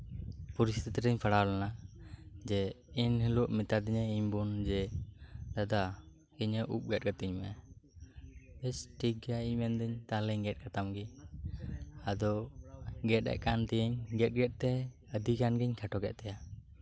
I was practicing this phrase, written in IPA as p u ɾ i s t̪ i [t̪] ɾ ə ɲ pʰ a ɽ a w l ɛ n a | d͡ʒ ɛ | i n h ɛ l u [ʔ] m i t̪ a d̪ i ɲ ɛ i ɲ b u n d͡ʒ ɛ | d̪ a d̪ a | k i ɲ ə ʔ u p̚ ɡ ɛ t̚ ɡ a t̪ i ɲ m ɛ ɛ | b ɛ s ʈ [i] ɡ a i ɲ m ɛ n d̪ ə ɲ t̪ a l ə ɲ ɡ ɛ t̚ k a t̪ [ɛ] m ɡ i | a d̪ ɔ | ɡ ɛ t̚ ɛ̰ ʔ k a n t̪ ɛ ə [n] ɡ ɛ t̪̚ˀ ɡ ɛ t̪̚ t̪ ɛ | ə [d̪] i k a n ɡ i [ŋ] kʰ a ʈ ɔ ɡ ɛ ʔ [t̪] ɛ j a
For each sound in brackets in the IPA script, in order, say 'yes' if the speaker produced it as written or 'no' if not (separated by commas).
yes, yes, yes, no, no, yes, no, yes